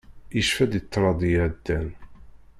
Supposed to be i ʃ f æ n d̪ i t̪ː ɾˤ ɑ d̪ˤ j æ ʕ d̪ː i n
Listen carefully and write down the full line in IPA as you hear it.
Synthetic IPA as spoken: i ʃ f æ d̪ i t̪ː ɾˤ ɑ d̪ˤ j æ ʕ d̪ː æ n